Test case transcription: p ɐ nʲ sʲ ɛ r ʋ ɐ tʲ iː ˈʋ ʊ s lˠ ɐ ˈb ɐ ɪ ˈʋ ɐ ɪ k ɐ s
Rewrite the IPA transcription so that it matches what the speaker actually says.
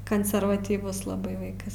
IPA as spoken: k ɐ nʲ sʲ ɛ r ʋ ɐ tʲ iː ˈʋ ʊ s lˠ ɐ ˈb ɐ ɪ ˈʋ ɐ ɪ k ɐ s